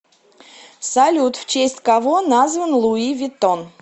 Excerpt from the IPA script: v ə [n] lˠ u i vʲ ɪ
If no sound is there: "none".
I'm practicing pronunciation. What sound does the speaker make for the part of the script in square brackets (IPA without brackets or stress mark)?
n